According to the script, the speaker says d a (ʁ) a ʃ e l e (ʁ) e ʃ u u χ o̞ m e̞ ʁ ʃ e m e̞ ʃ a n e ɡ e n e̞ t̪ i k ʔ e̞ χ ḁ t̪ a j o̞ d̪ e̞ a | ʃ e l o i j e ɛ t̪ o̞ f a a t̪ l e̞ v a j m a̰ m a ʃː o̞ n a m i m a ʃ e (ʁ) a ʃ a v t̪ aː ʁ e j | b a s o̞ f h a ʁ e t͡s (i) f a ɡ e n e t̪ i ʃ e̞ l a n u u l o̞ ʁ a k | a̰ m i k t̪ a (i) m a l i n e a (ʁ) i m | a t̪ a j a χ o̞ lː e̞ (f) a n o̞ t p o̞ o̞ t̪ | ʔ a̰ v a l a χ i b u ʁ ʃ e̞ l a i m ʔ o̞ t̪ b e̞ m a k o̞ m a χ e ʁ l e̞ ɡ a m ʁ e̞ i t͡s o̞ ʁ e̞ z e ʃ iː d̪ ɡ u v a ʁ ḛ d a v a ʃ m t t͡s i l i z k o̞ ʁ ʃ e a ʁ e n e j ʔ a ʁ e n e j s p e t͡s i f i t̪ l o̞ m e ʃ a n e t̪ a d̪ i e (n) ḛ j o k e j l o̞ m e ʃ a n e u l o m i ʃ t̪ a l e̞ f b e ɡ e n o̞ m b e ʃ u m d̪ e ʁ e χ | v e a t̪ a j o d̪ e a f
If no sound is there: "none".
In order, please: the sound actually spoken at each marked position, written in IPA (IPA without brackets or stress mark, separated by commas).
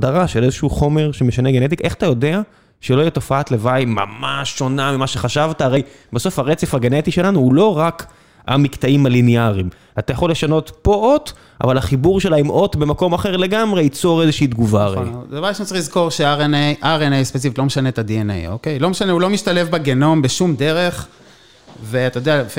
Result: ʁ, z, χ, e, i, ʁ, ʃ, n